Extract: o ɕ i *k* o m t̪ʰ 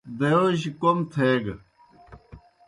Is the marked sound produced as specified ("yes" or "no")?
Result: yes